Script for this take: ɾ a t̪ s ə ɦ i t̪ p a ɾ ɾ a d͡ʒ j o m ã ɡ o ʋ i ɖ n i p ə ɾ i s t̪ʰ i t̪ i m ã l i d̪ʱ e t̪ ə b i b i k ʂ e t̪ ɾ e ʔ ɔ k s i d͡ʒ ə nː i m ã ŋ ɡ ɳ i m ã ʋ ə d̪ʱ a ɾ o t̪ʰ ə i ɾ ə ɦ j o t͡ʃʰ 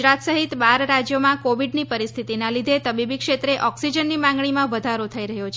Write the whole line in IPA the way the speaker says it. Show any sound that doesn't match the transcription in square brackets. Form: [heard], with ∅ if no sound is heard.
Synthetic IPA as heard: ɾ a t̪ s ə ɦ i t̪ [b] a ɾ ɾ a d͡ʒ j o m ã [k] o ʋ i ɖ n i p ə ɾ i s t̪ʰ i t̪ i [n] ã l i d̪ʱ e t̪ ə b i b i k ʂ e t̪ ɾ e ʔ ɔ k s i d͡ʒ ə nː i m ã ŋ ɡ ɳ i m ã ʋ ə d̪ʱ a ɾ o t̪ʰ ə i ɾ ə ɦ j o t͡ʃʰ